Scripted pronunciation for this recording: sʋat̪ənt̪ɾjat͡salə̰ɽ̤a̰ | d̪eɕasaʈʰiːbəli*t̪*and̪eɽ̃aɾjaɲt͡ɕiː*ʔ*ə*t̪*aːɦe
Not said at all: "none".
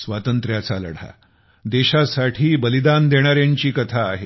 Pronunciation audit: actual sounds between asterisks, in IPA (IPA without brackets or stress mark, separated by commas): d̪, k, t̪ʰ